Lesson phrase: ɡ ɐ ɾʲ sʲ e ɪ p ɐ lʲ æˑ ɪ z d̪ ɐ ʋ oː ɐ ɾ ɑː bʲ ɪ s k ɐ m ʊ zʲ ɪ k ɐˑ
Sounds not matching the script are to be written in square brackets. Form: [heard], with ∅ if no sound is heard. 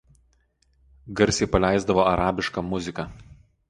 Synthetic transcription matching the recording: ɡ ɐ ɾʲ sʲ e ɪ p ɐ lʲ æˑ ɪ z d̪ ɐ ʋ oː ɐ ɾ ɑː bʲ ɪ [ʃ] k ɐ m ʊ zʲ ɪ k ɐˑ